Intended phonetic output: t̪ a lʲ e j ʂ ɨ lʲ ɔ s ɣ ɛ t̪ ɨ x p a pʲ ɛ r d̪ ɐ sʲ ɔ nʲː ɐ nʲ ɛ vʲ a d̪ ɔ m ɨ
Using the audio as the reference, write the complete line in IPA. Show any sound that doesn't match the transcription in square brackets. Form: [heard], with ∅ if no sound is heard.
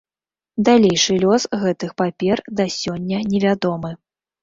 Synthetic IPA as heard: [d̪] a lʲ e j ʂ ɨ lʲ ɔ s ɣ ɛ t̪ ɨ x p a pʲ ɛ r d̪ ɐ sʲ ɔ nʲː ɐ nʲ ɛ vʲ a d̪ ɔ m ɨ